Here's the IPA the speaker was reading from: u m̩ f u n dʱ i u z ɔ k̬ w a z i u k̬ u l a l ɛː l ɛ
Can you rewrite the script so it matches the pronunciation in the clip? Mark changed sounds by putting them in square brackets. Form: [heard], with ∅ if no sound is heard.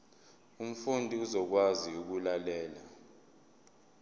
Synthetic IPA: u m̩ f u n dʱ i u z ɔ k̬ w a z i u k̬ u l a l ɛː l [a]